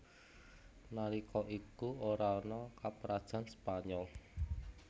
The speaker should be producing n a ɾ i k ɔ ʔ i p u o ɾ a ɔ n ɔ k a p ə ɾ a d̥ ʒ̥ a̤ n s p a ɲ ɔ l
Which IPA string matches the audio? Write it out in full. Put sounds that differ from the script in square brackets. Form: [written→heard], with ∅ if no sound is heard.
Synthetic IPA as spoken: n a ɾ i k ɔ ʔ i [p→k] u o ɾ a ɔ n ɔ k a p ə ɾ a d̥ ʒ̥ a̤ n s p a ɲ ɔ l